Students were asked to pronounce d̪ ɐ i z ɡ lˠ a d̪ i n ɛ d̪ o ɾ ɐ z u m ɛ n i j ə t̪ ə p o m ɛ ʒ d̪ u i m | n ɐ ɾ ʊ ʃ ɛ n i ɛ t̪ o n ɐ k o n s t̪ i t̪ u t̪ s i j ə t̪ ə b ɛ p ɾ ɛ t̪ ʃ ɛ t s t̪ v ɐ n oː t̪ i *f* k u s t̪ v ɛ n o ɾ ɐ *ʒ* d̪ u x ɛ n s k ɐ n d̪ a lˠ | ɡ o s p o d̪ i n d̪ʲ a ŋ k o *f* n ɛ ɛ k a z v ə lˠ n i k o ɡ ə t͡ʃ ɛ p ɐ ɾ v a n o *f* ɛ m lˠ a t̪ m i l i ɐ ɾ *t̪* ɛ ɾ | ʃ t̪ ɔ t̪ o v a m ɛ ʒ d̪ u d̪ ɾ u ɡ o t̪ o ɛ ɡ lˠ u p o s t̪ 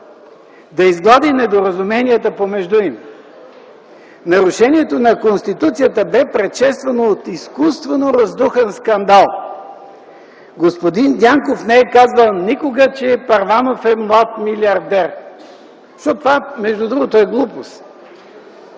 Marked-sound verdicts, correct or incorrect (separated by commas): incorrect, incorrect, correct, correct, incorrect